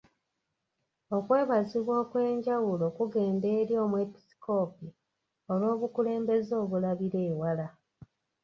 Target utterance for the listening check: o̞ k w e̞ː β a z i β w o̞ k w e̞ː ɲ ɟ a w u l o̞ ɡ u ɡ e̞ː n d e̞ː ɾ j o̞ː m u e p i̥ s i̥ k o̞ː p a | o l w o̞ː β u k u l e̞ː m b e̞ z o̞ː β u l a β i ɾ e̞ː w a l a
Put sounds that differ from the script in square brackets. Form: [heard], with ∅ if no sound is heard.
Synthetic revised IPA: o̞ k w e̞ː β a z i β w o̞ k w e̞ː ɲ ɟ a w u l o̞ [k] u ɡ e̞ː n d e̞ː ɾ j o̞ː m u e p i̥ s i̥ k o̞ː p [i] | o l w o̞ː β u k u l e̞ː m b e̞ z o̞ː β u l a β i ɾ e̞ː w a l a